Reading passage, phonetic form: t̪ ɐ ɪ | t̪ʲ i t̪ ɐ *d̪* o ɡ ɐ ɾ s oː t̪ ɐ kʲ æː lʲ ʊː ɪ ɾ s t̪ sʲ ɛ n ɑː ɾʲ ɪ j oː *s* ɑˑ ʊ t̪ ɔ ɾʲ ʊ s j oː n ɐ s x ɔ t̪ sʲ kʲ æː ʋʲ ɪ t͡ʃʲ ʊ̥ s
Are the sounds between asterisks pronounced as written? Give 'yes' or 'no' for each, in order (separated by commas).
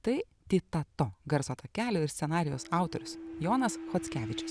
no, yes